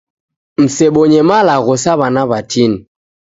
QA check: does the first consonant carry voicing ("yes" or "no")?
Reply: yes